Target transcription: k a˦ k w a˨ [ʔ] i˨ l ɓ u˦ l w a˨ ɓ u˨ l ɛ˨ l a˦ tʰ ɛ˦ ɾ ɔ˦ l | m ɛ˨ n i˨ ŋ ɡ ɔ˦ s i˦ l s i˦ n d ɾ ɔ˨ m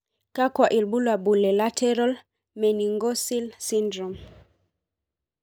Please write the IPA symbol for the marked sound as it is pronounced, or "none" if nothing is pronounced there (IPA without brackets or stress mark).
ʔ